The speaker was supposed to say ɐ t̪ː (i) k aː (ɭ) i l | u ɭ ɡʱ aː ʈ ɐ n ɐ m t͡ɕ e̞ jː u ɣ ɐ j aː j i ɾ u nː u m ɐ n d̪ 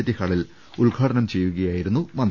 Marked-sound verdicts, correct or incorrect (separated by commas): correct, correct